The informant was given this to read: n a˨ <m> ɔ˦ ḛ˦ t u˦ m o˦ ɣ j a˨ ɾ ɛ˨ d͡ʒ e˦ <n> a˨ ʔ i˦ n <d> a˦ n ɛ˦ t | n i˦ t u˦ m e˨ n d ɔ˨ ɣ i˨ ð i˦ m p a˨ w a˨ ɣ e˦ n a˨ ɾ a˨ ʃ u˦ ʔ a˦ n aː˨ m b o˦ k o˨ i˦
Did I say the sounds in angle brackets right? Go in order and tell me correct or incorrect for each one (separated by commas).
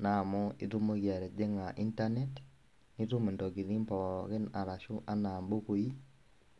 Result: correct, incorrect, incorrect